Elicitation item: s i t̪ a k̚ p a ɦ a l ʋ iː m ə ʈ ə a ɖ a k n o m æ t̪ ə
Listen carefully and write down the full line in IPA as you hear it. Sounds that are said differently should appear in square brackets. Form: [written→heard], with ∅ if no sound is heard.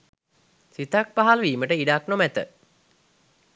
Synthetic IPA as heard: s i t̪ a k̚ p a ɦ a l ʋ iː m ə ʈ ə [a→i] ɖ a k n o m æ t̪ ə